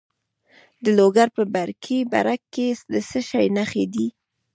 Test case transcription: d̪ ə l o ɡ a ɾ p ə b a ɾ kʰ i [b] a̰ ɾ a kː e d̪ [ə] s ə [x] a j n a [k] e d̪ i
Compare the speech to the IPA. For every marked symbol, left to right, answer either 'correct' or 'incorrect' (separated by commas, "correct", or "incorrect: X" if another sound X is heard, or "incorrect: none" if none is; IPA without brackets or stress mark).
correct, correct, incorrect: ʃ, incorrect: x